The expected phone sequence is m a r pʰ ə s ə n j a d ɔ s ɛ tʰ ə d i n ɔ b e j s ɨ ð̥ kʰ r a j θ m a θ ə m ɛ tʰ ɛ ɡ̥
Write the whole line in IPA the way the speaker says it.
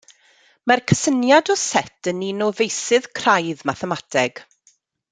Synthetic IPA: m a r kʰ ə s ə n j a d ɔ s ɛ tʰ ə n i n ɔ v e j s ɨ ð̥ kʰ r a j ð m a θ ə m a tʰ ɛ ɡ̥